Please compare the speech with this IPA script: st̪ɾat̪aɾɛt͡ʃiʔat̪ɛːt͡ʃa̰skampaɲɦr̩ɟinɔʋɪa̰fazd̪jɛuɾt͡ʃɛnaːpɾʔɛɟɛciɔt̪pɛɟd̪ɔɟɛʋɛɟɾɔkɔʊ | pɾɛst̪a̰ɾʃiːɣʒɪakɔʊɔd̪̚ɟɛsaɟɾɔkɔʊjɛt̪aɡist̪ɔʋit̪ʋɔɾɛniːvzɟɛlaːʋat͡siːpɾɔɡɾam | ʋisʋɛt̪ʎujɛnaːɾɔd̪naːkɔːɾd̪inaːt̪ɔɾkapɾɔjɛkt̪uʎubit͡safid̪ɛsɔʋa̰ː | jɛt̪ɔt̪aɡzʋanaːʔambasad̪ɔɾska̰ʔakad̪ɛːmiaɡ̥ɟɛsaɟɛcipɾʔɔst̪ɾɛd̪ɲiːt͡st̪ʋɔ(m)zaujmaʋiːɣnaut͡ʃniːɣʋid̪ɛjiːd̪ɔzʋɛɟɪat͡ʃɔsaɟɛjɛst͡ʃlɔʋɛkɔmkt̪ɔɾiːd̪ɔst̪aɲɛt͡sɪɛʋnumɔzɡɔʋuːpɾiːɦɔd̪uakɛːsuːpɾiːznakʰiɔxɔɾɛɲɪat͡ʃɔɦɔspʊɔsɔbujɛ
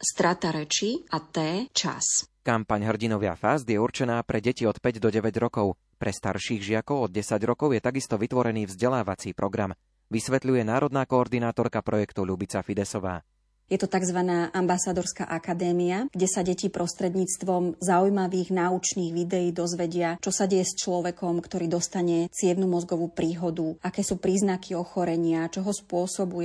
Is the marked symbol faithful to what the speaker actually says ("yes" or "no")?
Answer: yes